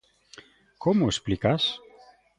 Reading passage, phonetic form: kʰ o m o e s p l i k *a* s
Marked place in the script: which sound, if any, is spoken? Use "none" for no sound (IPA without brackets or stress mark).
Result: a